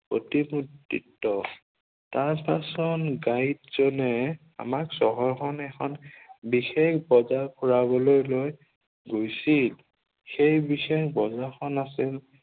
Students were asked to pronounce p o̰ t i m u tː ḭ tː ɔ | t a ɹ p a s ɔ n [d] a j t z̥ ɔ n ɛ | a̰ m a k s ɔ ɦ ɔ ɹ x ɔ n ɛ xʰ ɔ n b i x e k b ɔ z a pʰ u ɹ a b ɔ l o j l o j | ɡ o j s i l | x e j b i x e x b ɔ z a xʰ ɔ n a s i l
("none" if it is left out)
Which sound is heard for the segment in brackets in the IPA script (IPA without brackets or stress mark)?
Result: ɡ